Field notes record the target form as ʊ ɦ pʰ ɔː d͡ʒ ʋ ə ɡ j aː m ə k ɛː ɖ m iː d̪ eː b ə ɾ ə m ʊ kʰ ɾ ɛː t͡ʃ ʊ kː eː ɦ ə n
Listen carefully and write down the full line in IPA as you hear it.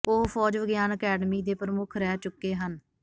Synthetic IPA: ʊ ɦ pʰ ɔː d͡ʒ ʋ ə ɡ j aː n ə k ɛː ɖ m iː d̪ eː p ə ɾ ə m ʊ kʰ ɾ ɛː t͡ʃ ʊ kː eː ɦ ə n